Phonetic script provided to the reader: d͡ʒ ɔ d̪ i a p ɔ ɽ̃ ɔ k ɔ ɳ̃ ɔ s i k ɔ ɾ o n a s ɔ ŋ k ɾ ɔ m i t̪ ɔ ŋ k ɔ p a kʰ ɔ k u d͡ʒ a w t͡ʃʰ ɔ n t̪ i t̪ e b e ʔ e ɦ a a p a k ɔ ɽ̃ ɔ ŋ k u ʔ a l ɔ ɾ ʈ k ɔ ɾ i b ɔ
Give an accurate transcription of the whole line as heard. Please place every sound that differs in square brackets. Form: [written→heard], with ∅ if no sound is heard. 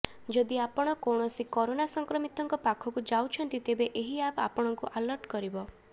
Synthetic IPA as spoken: d͡ʒ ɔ d̪ i a p ɔ ɽ̃ ɔ k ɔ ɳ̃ ɔ s i k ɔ ɾ o n a s ɔ ŋ k ɾ ɔ m i t̪ ɔ ŋ k ɔ p a kʰ ɔ k u d͡ʒ a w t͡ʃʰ ɔ n t̪ i t̪ e b e ʔ e ɦ [a→i] a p a [k→p] ɔ ɽ̃ ɔ ŋ k u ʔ a l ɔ ɾ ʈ k ɔ ɾ i b ɔ